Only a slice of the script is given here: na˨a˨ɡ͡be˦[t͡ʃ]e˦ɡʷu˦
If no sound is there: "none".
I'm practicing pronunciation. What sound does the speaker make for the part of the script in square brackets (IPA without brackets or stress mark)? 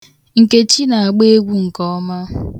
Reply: none